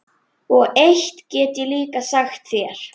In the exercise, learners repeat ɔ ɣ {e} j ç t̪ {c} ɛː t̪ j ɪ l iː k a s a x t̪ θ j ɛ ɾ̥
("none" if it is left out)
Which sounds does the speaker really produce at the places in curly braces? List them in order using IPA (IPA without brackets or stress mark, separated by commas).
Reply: e, c